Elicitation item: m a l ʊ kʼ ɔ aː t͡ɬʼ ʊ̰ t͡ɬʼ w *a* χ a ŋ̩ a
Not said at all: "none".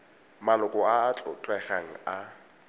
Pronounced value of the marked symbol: ɛ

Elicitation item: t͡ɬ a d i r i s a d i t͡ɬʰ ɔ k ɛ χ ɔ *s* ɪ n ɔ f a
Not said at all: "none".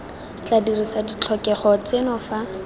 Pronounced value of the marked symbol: t͡s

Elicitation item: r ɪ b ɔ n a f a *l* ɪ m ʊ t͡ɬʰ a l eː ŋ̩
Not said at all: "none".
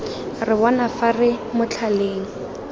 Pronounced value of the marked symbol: r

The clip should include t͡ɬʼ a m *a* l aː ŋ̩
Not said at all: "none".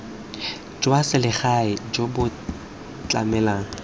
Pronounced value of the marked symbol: ɛ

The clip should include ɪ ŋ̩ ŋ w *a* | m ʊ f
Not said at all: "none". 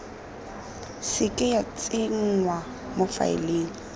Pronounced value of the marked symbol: a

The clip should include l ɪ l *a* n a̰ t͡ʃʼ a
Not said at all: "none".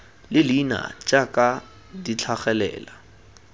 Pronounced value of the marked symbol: i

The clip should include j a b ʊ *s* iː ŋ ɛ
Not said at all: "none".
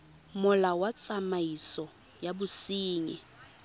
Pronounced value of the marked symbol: s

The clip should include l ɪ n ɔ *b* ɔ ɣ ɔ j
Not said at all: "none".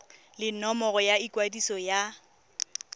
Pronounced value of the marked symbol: m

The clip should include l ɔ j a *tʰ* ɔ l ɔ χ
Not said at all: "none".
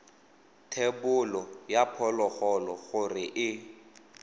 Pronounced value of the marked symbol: pʰ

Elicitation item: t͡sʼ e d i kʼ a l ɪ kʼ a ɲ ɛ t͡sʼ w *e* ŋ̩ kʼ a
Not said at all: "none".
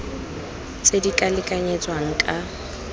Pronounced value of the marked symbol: a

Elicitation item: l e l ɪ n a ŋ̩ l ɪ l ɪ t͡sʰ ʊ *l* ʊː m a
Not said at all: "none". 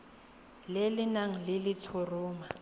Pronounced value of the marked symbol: r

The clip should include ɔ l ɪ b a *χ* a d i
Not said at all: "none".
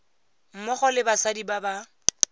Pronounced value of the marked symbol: s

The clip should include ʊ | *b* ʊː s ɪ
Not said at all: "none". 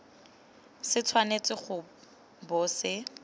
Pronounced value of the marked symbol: b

